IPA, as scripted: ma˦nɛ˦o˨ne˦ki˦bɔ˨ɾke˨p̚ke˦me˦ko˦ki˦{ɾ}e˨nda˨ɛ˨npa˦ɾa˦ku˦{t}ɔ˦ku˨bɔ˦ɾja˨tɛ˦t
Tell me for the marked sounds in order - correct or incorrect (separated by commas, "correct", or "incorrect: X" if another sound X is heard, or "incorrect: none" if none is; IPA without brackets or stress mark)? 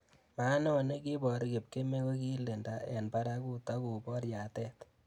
incorrect: l, correct